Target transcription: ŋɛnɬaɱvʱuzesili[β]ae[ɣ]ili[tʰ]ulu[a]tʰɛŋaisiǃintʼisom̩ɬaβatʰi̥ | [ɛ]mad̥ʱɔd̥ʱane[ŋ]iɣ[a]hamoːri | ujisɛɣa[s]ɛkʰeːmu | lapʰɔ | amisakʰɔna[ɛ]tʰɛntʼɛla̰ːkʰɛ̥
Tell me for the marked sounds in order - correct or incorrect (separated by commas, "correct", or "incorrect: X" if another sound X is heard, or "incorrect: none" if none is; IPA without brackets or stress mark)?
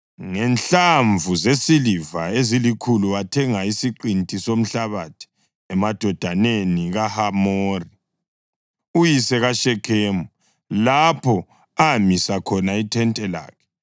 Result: incorrect: v, incorrect: z, incorrect: kʰ, correct, correct, incorrect: n, correct, incorrect: ʃ, incorrect: i